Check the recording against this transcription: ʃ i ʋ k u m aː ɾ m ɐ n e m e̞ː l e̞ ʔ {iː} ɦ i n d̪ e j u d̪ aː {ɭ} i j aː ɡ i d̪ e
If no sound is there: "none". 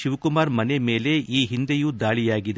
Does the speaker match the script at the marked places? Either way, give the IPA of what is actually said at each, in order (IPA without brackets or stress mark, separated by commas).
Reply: iː, ɭ